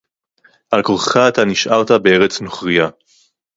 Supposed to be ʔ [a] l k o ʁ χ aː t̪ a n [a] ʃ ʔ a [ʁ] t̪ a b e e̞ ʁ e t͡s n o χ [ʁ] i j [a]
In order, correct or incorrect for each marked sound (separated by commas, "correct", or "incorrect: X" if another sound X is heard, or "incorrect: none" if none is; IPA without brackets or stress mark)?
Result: correct, incorrect: i, correct, correct, correct